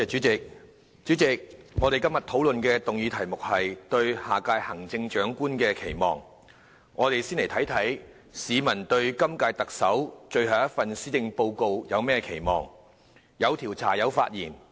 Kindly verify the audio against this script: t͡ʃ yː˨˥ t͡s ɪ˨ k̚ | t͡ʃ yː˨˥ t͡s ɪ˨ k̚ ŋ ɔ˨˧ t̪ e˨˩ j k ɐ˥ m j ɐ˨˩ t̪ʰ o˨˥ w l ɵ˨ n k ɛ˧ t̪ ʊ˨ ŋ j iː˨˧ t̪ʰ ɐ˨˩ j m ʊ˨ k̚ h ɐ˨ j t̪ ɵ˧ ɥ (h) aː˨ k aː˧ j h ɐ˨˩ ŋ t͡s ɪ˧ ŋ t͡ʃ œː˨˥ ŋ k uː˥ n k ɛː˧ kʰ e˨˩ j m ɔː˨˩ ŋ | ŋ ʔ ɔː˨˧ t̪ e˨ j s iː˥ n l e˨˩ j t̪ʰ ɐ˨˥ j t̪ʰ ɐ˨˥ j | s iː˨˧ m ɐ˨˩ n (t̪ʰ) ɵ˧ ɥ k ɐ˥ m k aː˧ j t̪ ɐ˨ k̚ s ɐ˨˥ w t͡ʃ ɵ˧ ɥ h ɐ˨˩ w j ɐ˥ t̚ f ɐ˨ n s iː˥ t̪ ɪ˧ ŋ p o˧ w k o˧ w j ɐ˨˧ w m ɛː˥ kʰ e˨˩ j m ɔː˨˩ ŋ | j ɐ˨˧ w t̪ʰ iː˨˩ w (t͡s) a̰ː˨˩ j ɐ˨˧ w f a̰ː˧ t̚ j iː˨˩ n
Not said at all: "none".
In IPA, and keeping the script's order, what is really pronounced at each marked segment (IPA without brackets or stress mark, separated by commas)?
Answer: h, t̪, t͡sʰ